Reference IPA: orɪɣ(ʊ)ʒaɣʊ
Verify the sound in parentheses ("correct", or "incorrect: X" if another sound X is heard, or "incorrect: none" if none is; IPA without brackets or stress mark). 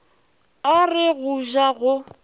incorrect: u